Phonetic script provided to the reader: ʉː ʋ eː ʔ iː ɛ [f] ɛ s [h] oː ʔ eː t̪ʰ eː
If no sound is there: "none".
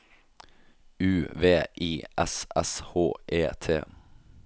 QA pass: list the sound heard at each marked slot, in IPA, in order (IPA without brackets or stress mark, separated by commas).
s, h